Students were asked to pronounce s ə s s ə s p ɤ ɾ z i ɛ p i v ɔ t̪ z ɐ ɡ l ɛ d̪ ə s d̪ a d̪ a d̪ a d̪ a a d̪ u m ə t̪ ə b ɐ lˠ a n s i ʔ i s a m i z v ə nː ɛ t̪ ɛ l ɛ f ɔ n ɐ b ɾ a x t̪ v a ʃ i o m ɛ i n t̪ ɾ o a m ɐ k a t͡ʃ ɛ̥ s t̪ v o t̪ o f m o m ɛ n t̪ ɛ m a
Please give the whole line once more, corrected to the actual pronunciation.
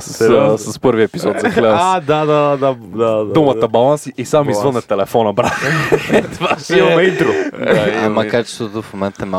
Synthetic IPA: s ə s s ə s p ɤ ɾ v i ɛ p i z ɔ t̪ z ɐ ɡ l ɛ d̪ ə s d̪ a d̪ a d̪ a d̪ a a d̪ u m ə t̪ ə b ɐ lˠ a n s i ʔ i s a m i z v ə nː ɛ t̪ ɛ l ɛ f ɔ n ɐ b ɾ a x t̪ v a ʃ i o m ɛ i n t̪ ɾ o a m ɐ k a t͡ʃ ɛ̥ s t̪ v o t̪ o f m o m ɛ n t̪ ɛ m a